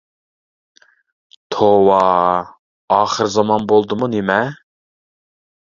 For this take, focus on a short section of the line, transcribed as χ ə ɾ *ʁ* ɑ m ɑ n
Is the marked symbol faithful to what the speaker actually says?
no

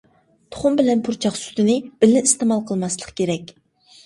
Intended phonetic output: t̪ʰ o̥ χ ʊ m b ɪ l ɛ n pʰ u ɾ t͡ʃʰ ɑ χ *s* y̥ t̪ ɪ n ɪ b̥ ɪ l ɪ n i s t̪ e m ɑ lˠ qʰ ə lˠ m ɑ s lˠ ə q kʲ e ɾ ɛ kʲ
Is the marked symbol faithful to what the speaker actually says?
yes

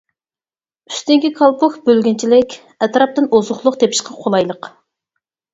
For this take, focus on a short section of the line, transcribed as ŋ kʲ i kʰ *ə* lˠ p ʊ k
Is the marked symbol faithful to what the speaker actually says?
no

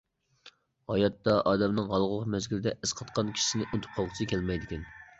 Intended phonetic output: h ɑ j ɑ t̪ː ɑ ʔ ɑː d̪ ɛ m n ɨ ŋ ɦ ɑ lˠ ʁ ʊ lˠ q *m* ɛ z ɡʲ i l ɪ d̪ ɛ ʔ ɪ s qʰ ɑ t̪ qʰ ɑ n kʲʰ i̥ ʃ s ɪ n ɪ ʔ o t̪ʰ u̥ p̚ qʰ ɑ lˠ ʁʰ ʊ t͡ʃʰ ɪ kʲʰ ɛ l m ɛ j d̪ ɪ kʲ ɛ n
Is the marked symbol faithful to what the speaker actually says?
yes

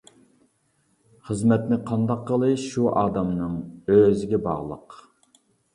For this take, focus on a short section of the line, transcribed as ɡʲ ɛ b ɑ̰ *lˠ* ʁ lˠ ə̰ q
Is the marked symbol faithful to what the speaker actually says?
no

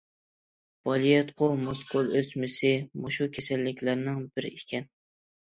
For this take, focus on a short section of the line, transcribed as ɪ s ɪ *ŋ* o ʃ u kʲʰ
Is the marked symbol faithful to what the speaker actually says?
no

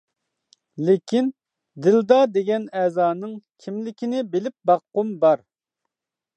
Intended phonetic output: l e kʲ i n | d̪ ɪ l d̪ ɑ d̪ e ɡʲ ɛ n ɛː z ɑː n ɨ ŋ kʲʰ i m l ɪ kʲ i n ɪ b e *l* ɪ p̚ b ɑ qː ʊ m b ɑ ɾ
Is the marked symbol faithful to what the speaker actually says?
yes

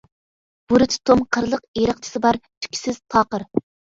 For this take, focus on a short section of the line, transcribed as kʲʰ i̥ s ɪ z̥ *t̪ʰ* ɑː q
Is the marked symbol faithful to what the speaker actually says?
yes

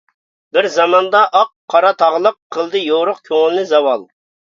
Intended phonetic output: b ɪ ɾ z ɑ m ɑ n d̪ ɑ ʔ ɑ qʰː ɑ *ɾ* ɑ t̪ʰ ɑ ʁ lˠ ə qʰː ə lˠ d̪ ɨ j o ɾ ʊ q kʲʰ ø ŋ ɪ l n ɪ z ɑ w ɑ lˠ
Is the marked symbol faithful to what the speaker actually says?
yes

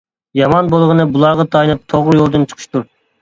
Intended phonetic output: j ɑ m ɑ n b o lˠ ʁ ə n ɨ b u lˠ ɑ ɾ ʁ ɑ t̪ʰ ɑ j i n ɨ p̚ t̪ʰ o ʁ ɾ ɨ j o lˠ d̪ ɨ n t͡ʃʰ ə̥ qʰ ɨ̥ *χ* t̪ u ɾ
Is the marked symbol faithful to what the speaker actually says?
no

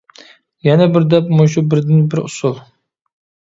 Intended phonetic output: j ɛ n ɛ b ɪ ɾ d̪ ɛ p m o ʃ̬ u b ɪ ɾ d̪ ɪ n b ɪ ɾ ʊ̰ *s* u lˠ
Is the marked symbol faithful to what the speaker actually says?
yes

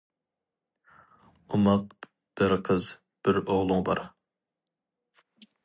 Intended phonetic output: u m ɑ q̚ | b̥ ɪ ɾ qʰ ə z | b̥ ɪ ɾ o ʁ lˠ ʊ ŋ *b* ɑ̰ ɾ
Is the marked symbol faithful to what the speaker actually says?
yes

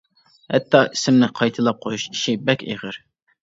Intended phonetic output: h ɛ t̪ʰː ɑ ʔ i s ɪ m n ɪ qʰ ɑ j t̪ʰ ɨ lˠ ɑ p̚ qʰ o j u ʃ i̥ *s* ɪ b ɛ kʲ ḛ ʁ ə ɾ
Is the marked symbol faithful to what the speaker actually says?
no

